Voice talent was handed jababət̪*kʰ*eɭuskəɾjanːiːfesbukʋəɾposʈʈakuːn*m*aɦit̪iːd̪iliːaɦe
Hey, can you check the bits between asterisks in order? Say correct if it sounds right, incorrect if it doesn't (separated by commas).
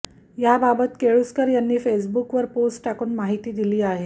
incorrect, correct